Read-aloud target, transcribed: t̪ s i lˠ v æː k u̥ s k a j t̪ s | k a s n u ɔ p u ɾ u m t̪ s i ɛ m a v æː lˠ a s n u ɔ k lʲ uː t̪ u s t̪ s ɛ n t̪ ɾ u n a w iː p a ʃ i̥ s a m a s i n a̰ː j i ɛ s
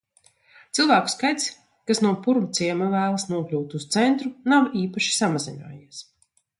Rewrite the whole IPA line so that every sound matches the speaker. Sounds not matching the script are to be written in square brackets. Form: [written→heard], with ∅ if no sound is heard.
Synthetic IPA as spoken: t̪ s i lˠ v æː k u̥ s k a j t̪ s | k a s n u ɔ p u ɾ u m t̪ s i ɛ m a v æː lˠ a s n u ɔ k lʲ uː t̪ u s t̪ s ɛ n t̪ ɾ u n a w iː p a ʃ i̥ s a m a [s→z] i n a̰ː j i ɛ s